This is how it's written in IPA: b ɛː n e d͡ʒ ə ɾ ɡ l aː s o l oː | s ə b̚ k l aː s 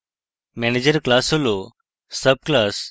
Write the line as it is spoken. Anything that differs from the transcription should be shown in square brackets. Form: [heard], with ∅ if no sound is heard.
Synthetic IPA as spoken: [m] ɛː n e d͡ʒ ə ɾ [k] l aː s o l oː | s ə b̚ k l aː s

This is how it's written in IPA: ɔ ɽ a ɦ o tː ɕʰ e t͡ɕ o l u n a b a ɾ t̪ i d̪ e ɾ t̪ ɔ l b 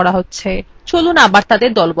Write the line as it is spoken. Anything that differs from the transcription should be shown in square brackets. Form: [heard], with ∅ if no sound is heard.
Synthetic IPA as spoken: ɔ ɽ a ɦ o tː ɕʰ e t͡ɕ o l u n a b a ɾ t̪ [a] d̪ e ɾ [d̪] ɔ l b

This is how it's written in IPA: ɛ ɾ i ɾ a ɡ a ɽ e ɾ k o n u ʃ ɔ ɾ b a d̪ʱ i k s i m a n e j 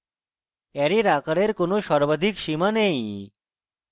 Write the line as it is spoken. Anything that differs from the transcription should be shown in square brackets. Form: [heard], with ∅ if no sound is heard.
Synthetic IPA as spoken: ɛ ɾ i ɾ a [k] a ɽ e ɾ k o n [o] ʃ ɔ ɾ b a d̪ʱ i k [ʃ] i m a n e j

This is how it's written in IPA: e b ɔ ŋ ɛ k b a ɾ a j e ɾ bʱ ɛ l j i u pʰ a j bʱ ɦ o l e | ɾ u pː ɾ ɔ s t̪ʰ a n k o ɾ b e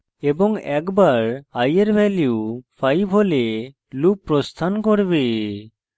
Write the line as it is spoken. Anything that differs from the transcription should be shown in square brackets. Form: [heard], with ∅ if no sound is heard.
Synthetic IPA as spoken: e b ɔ ŋ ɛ k b a ɾ a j e ɾ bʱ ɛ l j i u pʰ a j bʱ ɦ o l e | [l] u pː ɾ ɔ s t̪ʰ a n k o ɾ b e

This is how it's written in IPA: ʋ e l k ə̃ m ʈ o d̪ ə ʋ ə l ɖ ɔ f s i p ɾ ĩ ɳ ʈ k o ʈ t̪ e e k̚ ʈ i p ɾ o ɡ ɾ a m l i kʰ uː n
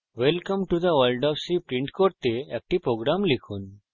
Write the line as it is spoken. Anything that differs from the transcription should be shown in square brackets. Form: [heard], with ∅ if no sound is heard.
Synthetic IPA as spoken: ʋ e l k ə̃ m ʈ [u] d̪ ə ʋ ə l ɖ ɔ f s i p ɾ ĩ ɳ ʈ k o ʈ t̪ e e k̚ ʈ i p ɾ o ɡ ɾ a m l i kʰ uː n

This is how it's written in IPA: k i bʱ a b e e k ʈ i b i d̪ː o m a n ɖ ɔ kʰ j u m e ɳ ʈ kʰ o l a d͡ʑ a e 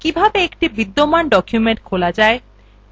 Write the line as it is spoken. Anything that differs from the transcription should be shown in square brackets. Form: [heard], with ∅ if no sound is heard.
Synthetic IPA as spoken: k i bʱ a b e e k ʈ i b i d̪ː o m a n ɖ ɔ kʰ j u m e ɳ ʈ kʰ o l a d͡ʑ a e

